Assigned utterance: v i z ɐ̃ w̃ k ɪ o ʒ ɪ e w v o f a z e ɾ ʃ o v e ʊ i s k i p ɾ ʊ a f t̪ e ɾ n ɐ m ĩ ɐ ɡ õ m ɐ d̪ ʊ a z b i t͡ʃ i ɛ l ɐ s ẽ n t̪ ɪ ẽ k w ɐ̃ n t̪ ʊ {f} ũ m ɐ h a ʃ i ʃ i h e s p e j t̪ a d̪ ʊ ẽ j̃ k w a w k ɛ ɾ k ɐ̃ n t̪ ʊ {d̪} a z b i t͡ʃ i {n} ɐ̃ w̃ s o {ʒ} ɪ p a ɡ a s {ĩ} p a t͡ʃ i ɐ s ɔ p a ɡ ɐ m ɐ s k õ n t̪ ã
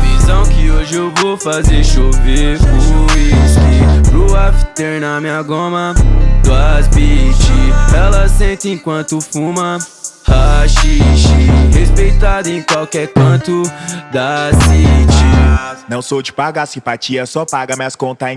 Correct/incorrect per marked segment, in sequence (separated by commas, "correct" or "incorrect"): correct, correct, correct, incorrect, correct